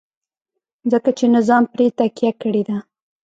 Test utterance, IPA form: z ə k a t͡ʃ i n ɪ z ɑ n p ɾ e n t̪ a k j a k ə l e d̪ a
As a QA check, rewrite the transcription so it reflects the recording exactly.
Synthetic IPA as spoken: z ə k a t͡ʃ e n ɪ z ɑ m p ɾ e t̪ a k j a k ə ɽ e d̪ a